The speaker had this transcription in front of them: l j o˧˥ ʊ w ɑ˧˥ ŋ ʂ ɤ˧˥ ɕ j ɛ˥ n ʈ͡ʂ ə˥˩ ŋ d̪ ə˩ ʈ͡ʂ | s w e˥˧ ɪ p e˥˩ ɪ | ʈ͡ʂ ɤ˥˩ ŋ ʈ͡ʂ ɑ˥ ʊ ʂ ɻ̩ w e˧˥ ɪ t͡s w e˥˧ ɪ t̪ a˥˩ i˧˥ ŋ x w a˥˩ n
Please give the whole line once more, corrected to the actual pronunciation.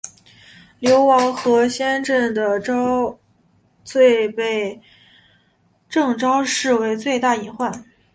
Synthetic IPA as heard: l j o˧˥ ʊ w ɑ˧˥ ŋ x ɤ˧˥ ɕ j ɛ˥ n ʈ͡ʂ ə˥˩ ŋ d̪ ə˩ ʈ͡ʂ | t͡s w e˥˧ ɪ p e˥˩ ɪ | ʈ͡ʂ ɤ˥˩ ŋ ʈ͡ʂ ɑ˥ ʊ ʂ ɻ̩ w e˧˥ ɪ t͡s w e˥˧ ɪ t̪ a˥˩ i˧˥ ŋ x w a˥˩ n

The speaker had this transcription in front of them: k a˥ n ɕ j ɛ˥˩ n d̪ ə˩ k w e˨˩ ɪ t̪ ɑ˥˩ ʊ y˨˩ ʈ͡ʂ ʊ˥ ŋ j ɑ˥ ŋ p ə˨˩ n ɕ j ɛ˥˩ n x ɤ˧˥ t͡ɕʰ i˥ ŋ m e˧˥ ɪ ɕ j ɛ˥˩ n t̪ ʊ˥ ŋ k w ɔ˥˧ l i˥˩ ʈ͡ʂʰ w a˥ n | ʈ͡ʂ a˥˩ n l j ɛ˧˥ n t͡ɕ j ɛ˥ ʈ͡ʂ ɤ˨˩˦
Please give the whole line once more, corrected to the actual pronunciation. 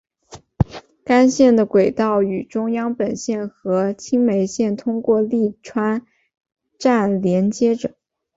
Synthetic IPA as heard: k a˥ n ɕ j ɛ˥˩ n d̪ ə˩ k w e˨˩ ɪ t̪ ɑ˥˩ ʊ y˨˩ ʈ͡ʂ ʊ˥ ŋ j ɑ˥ ŋ p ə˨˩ n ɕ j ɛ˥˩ n x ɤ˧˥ t͡ɕʰ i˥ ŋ m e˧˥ ɪ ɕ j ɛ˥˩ n t̪ʰ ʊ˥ ŋ k w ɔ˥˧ l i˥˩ ʈ͡ʂʰ w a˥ n | ʈ͡ʂ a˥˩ n l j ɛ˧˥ n t͡ɕ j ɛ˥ ʈ͡ʂ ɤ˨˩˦

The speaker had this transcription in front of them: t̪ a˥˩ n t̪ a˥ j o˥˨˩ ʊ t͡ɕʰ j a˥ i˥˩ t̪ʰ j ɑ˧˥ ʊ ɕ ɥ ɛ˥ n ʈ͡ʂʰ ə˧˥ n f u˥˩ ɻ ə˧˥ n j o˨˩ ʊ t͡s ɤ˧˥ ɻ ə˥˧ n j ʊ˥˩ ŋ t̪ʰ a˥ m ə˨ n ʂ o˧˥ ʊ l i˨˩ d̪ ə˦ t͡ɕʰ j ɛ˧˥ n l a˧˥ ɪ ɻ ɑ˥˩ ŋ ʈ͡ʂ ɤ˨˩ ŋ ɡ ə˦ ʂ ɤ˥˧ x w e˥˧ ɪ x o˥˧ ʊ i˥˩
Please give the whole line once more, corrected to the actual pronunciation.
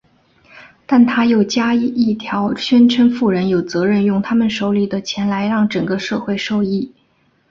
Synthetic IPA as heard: t̪ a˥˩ n t̪ʰ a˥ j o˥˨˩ ʊ t͡ɕ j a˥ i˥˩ t̪ʰ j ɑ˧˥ ʊ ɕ ɥ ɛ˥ n ʈ͡ʂʰ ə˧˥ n f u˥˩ ɻ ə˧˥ n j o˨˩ ʊ t͡s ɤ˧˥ ɻ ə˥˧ n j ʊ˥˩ ŋ t̪ʰ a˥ m ə˨ n ʂ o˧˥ ʊ l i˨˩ d̪ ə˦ t͡ɕʰ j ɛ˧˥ n l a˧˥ ɪ ɻ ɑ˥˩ ŋ ʈ͡ʂ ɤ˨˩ ŋ ɡ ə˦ ʂ ɤ˥˧ x w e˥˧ ɪ ʂ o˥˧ ʊ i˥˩

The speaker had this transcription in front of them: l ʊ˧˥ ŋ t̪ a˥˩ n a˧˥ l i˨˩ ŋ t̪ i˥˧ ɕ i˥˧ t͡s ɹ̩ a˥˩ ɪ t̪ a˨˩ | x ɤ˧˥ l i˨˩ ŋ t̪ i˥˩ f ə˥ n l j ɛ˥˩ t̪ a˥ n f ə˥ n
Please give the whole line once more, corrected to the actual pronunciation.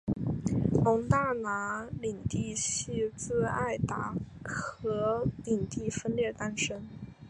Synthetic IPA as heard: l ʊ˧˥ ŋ t̪ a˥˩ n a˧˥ l i˨˩ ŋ t̪ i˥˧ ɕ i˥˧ t͡s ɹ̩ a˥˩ ɪ t̪ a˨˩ | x ɤ˧˥ l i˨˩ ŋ t̪ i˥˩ f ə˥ n l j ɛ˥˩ t̪ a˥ n ʂ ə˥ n

